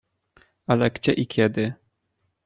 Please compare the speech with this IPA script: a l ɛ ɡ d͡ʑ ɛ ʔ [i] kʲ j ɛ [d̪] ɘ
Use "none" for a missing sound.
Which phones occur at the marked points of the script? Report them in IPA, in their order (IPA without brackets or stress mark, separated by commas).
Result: i, d̪